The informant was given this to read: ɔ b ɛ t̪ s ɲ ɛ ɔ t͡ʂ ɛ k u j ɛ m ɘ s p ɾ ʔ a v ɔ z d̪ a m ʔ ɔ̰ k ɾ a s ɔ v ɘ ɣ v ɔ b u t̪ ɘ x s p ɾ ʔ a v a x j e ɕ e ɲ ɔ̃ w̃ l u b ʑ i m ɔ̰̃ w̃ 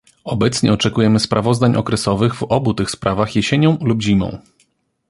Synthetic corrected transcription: ɔ b ɛ t̪ s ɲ ɛ ɔ t͡ʂ ɛ k u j ɛ m ɘ s p ɾ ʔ a v ɔ z d̪ a ɲ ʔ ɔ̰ k ɾ ɛ s ɔ v ɘ ɣ v ɔ b u t̪ ɘ x s p ɾ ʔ a v a x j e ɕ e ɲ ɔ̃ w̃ l u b ʑ i m ɔ̰̃ w̃